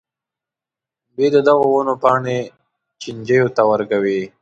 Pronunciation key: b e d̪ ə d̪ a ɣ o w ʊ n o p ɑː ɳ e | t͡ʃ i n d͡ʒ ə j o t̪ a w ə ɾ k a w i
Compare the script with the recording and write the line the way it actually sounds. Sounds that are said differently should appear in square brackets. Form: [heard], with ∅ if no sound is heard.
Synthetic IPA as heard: b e d̪ ə d̪ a ɣ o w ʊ n o p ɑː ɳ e | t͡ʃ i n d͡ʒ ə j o t̪ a w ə ɾ k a w i